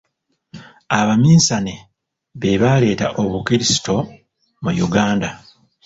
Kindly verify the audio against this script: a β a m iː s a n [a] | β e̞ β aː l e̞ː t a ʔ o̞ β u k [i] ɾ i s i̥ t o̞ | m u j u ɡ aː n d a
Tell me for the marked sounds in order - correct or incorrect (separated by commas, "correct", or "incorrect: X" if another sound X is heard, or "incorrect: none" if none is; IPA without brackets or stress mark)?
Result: incorrect: e, correct